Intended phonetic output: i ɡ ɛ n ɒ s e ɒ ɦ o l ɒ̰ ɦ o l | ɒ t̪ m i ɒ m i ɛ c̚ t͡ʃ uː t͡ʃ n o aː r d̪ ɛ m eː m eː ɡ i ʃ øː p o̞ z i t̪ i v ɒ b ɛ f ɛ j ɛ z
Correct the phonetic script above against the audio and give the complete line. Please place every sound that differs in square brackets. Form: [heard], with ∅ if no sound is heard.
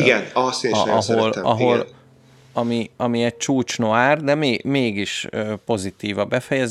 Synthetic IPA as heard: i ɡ ɛ n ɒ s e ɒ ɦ o l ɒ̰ ɦ o l | ɒ [∅] m i ɒ m i ɛ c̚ t͡ʃ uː t͡ʃ n o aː r d̪ ɛ m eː m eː ɡ i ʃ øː p o̞ z i t̪ [iː] v ɒ b ɛ f ɛ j ɛ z